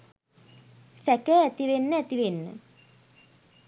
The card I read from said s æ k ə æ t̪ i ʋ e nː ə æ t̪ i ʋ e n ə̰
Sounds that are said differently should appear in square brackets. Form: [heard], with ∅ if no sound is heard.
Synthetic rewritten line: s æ k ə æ t̪ i ʋ e nː ə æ t̪ i ʋ e [nː] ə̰